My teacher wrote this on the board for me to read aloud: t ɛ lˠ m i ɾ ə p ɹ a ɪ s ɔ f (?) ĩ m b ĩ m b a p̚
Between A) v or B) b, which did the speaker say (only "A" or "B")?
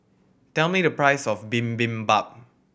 B